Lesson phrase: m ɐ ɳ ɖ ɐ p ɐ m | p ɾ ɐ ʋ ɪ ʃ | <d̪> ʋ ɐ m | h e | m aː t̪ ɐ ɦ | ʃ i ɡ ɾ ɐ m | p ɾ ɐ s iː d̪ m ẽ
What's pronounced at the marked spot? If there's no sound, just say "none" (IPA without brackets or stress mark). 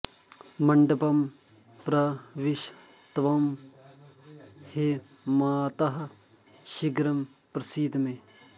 t̪